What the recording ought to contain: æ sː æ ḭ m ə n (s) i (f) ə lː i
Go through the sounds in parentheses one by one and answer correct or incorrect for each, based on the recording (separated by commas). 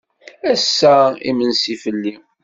correct, correct